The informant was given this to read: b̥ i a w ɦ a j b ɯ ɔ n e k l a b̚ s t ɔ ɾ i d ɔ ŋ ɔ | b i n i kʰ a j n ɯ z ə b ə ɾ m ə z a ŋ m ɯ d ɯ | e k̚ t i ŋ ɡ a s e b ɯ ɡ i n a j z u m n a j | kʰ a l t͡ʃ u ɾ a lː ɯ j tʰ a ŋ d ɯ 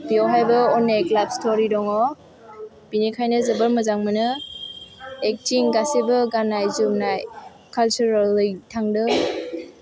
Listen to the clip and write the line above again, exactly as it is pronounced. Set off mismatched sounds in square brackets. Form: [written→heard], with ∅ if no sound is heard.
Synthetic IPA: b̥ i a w ɦ a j b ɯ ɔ n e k l a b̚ s t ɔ ɾ i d ɔ ŋ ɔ | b i n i kʰ a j n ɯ z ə b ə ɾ m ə z a ŋ m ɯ [d→n] ɯ | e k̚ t i ŋ ɡ a s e b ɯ ɡ [i→a] n a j z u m n a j | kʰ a l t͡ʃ u ɾ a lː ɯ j tʰ a ŋ d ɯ